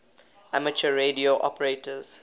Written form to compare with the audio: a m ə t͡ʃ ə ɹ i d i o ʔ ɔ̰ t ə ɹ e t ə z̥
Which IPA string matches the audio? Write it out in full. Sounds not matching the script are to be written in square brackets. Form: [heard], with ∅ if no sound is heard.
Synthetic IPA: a m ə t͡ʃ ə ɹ [e] d i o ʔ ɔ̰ [p] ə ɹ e t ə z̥

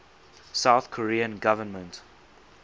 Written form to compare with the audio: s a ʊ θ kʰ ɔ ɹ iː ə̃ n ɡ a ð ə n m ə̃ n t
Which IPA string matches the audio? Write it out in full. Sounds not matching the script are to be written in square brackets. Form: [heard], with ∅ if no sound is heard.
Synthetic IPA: s a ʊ θ kʰ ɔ ɹ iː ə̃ n ɡ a [v] ə n m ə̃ n t

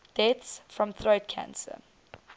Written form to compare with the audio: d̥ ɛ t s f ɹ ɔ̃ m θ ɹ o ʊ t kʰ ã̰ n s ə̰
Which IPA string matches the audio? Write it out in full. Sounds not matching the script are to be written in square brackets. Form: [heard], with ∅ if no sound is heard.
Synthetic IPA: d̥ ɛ t s f ɹ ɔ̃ m θ ɹ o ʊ t kʰ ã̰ n s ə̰

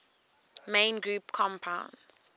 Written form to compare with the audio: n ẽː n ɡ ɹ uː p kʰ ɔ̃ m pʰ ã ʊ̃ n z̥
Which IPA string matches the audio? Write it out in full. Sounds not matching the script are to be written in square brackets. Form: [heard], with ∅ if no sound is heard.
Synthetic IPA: [m] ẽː n ɡ ɹ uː p kʰ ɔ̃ m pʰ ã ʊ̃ n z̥

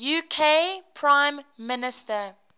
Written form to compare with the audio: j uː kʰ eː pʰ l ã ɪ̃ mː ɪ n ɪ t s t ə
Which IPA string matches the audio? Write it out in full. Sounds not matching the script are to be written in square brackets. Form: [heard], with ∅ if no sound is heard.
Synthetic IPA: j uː kʰ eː pʰ [ɹ] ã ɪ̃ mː ɪ n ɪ [∅] s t ə

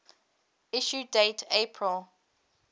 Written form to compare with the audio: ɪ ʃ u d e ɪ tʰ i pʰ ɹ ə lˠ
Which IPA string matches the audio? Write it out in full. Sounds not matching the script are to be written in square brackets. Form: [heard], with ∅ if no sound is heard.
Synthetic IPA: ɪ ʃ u d e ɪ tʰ [e] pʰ ɹ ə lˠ

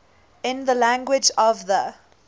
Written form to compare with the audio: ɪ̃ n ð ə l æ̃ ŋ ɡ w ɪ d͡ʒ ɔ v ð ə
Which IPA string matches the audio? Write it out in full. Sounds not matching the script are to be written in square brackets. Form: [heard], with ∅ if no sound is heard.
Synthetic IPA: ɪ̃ n ð ə l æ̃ ŋ ɡ w ɪ d͡ʒ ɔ v ð ə

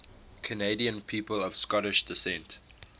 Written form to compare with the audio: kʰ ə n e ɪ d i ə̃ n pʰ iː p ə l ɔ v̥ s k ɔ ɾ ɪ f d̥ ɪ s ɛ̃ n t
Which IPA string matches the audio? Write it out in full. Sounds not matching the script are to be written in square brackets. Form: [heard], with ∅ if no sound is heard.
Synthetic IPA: kʰ ə n e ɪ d i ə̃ n pʰ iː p ə l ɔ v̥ s k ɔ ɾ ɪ [ʃ] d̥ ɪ s ɛ̃ n t

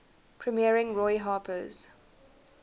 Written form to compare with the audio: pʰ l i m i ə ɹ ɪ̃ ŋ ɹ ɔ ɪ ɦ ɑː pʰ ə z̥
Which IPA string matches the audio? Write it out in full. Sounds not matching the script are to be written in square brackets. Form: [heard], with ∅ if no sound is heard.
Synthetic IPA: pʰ [ɹ] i m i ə ɹ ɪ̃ ŋ ɹ ɔ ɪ ɦ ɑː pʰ ə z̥

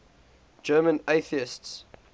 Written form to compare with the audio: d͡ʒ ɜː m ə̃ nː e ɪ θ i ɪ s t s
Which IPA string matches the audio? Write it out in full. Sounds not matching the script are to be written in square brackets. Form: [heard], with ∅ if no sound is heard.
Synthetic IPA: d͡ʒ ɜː m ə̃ [n] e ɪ θ i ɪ s t s

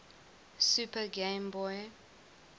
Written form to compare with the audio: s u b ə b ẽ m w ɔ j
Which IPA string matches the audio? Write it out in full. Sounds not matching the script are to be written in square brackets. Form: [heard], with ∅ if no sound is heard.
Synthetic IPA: s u [p] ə [ɡ] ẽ m [b] ɔ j

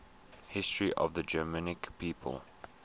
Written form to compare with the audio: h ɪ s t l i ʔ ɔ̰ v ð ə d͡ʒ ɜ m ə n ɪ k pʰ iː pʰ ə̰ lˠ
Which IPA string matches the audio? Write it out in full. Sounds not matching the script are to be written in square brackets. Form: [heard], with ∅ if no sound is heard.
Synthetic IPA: h ɪ s t [ɹ] i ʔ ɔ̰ v ð ə d͡ʒ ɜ m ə n ɪ k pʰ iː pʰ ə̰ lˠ

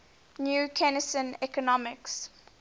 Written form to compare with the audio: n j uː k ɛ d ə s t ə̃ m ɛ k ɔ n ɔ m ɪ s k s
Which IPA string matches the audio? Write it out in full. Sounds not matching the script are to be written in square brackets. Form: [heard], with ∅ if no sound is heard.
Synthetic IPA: n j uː [kʰ] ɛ [n] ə s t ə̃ [n] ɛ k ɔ n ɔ m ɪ [∅] k s

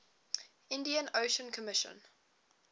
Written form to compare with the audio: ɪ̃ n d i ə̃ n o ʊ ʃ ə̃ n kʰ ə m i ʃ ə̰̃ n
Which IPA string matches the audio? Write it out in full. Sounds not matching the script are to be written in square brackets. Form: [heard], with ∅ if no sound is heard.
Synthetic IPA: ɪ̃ n d i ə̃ n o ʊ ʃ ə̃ n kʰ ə m [ɪ] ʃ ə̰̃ n

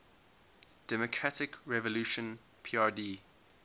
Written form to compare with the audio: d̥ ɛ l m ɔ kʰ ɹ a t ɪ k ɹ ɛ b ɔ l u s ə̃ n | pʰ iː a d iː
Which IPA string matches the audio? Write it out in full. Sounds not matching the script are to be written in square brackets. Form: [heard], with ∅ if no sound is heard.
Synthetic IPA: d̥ ɛ [∅] m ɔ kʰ ɹ a t ɪ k ɹ ɛ [v] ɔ l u [ʃ] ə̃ n | pʰ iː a d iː

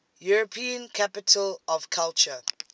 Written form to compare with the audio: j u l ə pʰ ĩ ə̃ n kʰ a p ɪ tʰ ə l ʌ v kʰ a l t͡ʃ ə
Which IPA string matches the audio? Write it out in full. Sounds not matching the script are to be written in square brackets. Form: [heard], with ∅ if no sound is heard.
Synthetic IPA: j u [ɹ] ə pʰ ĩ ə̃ n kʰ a p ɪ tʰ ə l [ɔ] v kʰ a l t͡ʃ ə

